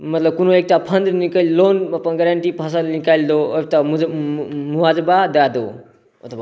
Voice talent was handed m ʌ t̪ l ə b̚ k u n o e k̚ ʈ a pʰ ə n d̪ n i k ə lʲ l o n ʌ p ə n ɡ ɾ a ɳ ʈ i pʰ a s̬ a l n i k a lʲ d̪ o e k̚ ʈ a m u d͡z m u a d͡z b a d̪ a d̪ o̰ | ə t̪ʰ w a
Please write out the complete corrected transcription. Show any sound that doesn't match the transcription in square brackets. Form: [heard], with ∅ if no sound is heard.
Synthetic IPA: m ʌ t̪ l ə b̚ k u n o e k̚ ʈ a pʰ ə n d̪ n i k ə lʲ l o n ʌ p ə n ɡ ɾ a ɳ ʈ i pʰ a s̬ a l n i k a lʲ d̪ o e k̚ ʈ a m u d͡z m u a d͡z b a d̪ a d̪ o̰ | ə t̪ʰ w a